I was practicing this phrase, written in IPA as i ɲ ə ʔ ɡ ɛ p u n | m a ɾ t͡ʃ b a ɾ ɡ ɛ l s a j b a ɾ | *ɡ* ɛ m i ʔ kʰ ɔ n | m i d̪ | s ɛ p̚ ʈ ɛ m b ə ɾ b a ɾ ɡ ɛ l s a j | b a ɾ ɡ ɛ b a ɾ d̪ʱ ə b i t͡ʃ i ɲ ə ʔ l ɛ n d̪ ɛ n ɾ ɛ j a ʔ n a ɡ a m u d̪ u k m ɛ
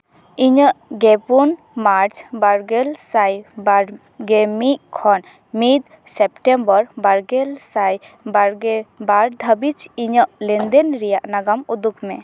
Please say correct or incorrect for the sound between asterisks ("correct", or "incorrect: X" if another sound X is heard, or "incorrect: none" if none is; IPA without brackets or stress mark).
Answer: correct